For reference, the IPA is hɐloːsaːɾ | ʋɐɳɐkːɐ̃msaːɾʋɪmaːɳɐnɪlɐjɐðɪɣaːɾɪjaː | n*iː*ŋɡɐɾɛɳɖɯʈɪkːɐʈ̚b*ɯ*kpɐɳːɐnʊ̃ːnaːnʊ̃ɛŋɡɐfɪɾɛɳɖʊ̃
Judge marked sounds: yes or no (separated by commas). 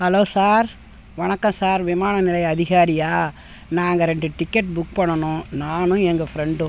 no, no